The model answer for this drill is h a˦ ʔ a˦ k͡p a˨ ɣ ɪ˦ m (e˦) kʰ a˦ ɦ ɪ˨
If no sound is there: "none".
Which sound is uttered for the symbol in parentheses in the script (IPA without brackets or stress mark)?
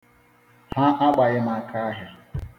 a˦